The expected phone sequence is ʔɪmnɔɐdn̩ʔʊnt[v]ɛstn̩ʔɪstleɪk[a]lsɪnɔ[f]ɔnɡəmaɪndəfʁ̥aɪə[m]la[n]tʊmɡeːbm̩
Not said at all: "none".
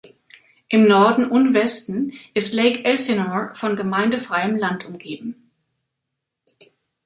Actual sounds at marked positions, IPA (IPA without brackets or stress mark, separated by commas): v, ɛ, f, m, n